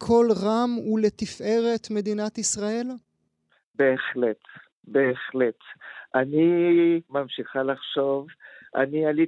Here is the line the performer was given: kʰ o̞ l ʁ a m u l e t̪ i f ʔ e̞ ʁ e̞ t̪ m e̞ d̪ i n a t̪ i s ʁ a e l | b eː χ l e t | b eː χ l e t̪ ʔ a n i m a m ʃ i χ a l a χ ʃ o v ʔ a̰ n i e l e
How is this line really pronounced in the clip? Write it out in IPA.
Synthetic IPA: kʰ o̞ l ʁ a m u l e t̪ i f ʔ e̞ ʁ e̞ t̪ m e̞ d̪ i n a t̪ i s ʁ a e l | b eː χ l e t | b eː χ l e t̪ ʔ a n i m a m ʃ i χ a l a χ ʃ o v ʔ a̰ n i a l i